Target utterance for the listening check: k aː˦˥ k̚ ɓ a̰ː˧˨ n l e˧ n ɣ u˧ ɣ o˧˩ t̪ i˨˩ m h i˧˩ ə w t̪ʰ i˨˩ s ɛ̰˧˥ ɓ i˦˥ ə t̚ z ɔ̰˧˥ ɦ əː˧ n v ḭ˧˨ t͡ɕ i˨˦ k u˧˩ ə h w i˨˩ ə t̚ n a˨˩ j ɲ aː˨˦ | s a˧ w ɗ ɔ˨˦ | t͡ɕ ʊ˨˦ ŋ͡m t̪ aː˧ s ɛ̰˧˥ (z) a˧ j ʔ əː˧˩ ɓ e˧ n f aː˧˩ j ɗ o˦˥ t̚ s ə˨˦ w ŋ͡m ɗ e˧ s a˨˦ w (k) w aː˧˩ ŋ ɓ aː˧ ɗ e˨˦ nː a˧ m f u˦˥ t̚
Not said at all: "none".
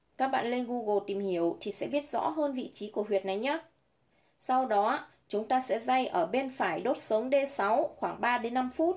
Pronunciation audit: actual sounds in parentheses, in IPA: z, x

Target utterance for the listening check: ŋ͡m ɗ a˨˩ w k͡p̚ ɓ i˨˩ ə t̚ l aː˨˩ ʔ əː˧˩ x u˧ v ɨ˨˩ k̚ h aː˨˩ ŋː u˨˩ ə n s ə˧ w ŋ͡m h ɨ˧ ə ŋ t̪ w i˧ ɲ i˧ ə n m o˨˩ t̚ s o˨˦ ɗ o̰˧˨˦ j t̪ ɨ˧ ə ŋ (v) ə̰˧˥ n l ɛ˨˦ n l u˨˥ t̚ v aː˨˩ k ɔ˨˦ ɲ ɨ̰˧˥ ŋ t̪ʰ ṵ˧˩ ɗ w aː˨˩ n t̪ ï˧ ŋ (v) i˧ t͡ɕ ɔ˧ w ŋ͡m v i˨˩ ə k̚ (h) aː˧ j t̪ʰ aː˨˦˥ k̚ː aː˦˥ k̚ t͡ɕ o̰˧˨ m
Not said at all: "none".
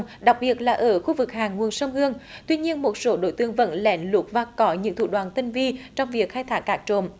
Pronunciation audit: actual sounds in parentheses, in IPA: v, v, x

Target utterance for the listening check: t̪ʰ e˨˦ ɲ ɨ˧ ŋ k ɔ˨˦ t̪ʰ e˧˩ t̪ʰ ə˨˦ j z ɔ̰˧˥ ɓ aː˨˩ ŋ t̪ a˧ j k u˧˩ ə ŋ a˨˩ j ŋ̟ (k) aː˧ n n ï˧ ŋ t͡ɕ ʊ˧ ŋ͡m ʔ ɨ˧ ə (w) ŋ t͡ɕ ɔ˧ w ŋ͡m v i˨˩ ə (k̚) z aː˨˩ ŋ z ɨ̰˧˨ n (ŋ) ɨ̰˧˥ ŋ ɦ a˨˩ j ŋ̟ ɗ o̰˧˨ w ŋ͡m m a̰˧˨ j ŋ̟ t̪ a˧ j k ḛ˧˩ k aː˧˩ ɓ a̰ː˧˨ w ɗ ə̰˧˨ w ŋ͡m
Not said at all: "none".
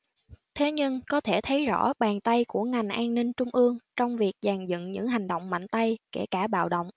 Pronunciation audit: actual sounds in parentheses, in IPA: ʔ, none, k̚, ɲ

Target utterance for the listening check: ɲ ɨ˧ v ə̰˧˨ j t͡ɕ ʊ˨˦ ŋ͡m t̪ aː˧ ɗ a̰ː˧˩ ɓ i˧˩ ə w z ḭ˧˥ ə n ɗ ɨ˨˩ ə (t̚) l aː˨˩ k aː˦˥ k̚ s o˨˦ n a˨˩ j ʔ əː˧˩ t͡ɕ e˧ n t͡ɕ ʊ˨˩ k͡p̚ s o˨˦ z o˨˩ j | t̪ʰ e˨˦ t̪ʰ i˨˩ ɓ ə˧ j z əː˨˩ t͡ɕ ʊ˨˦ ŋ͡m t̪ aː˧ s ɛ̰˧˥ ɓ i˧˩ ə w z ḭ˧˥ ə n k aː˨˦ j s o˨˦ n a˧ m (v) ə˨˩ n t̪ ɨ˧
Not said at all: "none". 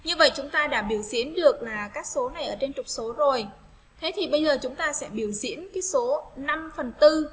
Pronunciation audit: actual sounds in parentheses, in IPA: k̚, f

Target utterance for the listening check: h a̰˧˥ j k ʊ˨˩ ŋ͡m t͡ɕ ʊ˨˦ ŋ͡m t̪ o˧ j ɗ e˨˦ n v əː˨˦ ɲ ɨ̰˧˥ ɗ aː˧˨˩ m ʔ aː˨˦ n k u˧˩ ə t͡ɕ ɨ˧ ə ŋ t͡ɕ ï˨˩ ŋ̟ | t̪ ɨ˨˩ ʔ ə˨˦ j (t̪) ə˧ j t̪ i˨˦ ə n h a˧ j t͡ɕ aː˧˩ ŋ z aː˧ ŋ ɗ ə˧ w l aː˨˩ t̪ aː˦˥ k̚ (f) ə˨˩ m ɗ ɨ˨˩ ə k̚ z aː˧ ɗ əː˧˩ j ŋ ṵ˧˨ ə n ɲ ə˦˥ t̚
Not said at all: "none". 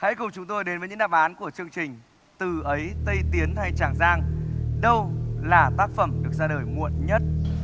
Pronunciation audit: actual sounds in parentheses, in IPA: t̪, f

